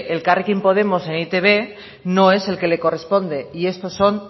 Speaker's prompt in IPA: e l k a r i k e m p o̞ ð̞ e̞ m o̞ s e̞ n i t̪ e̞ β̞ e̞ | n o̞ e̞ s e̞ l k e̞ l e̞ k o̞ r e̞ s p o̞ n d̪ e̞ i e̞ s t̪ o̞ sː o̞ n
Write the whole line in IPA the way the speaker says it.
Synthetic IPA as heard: e l k a r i k i m p o̞ ð̞ e̞ m o̞ s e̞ n i t̪ e̞ β̞ e̞ | n o̞ e̞ s e̞ l k e̞ l e̞ k o̞ r e̞ s p o̞ n d̪ e̞ i e̞ s t̪ o̞ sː o̞ n